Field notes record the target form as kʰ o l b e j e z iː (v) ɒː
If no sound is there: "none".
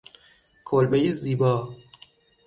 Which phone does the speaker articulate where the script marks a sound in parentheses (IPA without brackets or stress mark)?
b